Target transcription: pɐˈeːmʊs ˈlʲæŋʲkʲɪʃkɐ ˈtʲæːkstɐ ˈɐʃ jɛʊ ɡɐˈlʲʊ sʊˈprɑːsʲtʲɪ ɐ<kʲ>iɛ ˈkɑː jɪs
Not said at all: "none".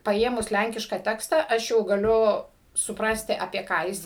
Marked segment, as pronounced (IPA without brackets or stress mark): pʲ